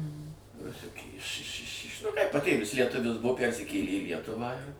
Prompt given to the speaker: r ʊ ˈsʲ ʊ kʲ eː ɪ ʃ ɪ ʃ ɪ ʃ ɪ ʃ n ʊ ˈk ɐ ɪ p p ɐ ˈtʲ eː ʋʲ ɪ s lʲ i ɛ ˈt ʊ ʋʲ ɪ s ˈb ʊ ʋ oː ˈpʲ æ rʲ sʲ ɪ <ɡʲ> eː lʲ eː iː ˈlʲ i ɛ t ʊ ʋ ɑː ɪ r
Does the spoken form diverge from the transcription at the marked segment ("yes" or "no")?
yes